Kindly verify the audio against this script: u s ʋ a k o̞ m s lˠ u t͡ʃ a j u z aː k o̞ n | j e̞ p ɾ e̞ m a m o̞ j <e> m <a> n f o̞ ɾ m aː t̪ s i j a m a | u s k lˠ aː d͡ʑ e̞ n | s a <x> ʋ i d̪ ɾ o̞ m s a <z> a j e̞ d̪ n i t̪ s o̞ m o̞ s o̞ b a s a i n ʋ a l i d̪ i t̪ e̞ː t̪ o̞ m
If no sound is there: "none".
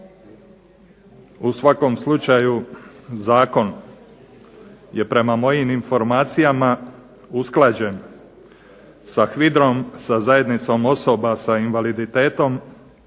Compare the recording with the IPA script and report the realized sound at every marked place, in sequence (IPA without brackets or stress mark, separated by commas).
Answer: i, i, x, z